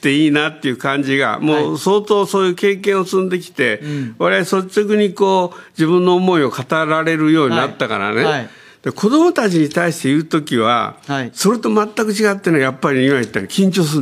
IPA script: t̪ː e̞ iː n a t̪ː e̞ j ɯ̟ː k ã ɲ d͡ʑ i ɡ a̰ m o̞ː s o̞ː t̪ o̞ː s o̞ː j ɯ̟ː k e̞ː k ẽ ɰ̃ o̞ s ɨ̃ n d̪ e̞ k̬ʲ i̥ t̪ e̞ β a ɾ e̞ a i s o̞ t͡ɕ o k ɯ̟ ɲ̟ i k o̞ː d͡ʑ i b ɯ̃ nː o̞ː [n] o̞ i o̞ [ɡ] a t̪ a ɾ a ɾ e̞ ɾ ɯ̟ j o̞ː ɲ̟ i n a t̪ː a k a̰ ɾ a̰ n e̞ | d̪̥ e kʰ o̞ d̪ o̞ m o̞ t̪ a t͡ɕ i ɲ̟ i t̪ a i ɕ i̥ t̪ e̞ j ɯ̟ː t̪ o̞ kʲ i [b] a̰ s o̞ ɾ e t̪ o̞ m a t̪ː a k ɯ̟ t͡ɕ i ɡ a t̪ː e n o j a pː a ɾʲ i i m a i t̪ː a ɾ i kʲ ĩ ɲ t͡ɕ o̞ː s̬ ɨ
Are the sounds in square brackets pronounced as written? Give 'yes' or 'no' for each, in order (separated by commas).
no, no, no